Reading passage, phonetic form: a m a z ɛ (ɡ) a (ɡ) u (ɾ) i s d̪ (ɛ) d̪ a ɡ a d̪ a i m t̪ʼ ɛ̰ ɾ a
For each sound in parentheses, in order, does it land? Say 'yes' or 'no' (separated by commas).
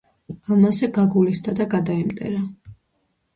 yes, yes, no, no